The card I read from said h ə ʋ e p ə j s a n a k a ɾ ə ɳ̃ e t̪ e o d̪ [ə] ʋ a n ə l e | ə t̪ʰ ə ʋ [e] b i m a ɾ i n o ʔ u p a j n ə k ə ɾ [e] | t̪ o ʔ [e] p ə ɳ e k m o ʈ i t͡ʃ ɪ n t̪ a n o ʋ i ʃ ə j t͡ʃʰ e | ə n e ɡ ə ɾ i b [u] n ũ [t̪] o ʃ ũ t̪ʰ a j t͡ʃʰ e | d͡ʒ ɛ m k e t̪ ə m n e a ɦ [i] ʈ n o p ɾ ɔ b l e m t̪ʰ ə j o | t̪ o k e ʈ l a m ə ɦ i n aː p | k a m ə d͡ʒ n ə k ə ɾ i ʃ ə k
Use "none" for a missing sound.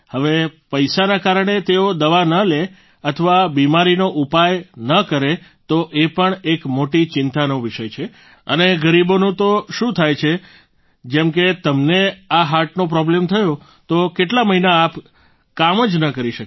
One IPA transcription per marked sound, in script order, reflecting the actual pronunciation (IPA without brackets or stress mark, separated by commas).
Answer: ə, a, e, e, o, t̪, a